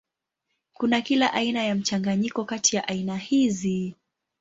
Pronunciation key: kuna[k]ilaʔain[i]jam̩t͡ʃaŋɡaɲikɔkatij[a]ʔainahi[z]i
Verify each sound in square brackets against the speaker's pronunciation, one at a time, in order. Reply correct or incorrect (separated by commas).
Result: correct, incorrect, correct, correct